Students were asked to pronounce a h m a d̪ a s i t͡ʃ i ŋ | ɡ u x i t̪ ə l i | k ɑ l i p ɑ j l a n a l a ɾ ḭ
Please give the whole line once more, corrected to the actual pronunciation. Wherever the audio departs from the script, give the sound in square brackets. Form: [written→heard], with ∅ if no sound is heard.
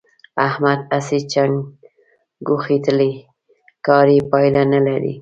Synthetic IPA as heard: a h m a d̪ a s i t͡ʃ [i→a] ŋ | ɡ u x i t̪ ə l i | k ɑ [l→ɾ] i p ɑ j l a n a l a ɾ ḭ

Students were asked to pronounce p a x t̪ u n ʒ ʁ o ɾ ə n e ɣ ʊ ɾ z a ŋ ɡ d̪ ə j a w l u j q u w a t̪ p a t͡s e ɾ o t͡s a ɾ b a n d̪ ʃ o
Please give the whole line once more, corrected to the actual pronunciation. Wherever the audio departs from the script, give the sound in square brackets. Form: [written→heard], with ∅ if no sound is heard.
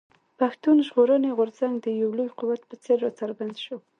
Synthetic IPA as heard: p a x t̪ u n ʒ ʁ o ɾ ə n e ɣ ʊ ɾ z a ŋ ɡ d̪ ə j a w l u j q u w a t̪ p [a→ə] t͡s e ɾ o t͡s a ɾ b a n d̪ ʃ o

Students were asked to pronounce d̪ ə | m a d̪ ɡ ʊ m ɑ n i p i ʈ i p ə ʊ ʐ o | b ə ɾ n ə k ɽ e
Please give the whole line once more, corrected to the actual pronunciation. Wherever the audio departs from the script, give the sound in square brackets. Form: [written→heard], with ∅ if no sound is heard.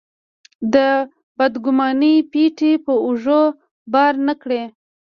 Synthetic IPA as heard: d̪ ə | [m→b] a d̪ ɡ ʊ m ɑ n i p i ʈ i p ə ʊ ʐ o | b [ə→ɑ] ɾ n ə k ɽ e

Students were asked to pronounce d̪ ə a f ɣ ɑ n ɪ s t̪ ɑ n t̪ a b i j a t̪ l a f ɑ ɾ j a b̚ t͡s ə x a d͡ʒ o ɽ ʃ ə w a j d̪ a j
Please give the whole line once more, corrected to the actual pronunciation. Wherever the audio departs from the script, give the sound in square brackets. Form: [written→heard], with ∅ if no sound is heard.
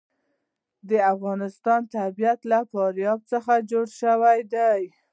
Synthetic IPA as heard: d̪ ə a f ɣ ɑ n ɪ s t̪ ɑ n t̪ a b i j a t̪ l a f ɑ ɾ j [a→ɑ] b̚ t͡s ə x a d͡ʒ o ɽ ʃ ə w a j d̪ a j

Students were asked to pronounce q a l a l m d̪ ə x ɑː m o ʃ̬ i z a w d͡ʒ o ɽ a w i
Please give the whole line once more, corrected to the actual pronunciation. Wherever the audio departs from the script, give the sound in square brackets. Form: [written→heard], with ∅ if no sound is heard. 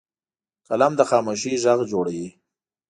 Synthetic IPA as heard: [q→k] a l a [l→∅] m d̪ ə x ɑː m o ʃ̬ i [z→ʒ] a [w→ɣ] d͡ʒ o ɽ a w i

